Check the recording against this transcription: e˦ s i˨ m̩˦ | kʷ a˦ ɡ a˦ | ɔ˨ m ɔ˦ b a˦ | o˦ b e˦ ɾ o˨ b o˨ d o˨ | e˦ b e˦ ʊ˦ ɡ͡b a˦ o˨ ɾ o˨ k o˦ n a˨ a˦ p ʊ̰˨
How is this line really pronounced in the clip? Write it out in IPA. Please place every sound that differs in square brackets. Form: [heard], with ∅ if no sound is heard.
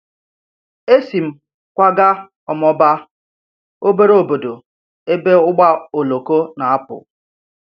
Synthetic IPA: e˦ s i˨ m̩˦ | kʷ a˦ ɡ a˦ | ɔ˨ m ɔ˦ b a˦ | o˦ b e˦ ɾ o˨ b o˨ d o˨ | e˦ b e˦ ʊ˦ ɡ͡b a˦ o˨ [l] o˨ k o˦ n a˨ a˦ p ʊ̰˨